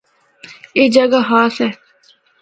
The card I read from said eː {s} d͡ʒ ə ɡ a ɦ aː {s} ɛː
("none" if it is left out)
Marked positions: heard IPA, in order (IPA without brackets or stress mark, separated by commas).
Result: none, s